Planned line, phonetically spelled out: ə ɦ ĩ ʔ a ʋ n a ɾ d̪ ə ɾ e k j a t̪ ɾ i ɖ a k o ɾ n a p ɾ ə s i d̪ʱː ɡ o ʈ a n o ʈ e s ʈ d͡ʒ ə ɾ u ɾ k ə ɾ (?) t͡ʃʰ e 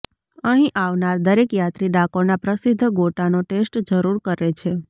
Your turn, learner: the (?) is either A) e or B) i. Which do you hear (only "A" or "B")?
A